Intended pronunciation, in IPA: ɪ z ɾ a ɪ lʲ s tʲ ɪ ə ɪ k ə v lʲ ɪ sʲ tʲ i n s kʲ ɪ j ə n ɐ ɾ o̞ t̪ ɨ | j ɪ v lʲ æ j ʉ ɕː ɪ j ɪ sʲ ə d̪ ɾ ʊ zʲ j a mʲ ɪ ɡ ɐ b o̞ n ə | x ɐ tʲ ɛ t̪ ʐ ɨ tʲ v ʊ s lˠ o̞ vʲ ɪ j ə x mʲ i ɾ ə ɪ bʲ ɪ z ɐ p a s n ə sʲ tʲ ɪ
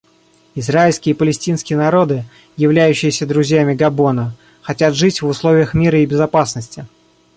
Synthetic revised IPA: ɪ z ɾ a ɪ lʲ s kʲ ɪ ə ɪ p ə lʲ ɪ sʲ tʲ i n s kʲ ɪ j ə n ɐ ɾ o̞ d̪ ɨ | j ɪ v lʲ æ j ʉ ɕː ɪ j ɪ sʲ ə d̪ ɾ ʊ zʲ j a mʲ ɪ ɡ ɐ b o̞ n ə | x ɐ tʲ a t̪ ʐ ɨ tʲ v ʊ s lˠ o̞ vʲ ɪ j ə x mʲ i ɾ ə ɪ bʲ ɪ z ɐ p a s n ə sʲ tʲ ɪ

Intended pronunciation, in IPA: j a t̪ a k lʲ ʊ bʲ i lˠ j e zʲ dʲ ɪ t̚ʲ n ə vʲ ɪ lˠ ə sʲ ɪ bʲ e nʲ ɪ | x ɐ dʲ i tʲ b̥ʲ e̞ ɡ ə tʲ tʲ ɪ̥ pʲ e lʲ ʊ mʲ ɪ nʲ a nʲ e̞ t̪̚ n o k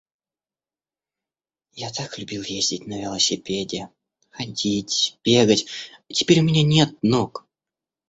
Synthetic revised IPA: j a t̪ a k lʲ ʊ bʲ i lˠ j e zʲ dʲ ɪ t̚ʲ n ə vʲ ɪ lˠ ə sʲ ɪ pʲ e dʲ ɪ | x ɐ dʲ i tʲ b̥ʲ e̞ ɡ ə tʲ tʲ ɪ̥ pʲ e ɾʲ ʊ mʲ ɪ nʲ a nʲ e̞ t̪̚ n o k

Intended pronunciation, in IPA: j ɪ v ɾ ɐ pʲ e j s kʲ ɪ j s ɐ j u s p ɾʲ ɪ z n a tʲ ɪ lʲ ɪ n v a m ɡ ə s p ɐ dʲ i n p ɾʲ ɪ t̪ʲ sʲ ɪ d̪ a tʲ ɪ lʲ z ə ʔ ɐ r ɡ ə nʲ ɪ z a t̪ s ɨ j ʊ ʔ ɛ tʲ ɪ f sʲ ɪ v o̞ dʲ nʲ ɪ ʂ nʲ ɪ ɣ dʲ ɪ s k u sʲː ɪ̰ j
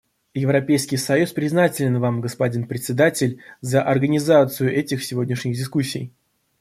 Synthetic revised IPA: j ɪ v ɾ ɐ pʲ e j s kʲ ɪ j s ɐ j u s p ɾʲ ɪ z n a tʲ ɪ lʲ ɪ n v a m ɡ ə s p ɐ dʲ i n p ɾʲ ɪ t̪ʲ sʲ ɪ d̪ a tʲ ɪ lʲ z ə ʔ ɐ r ɡ ə nʲ ɪ z a t̪ s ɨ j ʊ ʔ ɛ tʲ ɪ x sʲ ɪ v o̞ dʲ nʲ ɪ ʂ nʲ ɪ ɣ dʲ ɪ s k u sʲː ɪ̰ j

